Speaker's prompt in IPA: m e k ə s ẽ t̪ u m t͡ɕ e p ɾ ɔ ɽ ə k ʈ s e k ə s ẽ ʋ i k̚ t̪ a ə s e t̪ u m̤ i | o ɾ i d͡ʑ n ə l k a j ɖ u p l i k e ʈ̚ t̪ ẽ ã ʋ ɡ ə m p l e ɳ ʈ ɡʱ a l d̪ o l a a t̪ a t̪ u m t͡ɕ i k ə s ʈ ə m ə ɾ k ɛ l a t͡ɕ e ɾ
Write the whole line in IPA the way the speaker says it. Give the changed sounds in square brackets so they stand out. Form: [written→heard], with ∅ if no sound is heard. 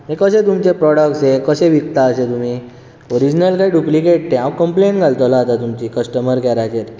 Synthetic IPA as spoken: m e k ə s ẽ t̪ u m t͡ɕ e p ɾ ɔ ɽ ə k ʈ s e k ə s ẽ ʋ i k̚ t̪ a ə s e t̪ u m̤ i | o ɾ i d͡ʑ n ə l k a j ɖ u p l i k e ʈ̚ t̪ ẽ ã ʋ [ɡ→k] ə m p l e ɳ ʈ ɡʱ a l [d̪→t̪] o l a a t̪ a t̪ u m t͡ɕ i k ə s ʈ ə m ə ɾ k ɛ [l→ɾ] a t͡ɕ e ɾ